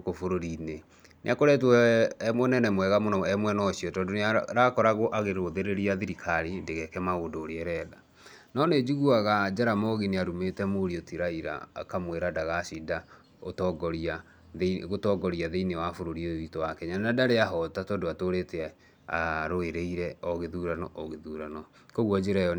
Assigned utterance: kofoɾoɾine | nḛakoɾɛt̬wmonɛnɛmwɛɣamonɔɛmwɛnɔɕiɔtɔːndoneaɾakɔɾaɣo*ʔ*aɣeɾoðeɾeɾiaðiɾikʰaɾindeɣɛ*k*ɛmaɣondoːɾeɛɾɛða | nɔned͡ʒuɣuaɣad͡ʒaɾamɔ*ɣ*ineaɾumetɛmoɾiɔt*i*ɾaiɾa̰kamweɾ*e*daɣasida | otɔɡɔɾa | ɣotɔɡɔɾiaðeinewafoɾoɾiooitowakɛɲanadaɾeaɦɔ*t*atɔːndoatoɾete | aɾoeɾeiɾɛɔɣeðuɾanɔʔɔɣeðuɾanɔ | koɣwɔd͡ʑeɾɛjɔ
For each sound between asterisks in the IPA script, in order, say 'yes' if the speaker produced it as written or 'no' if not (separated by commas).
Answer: yes, yes, yes, yes, no, yes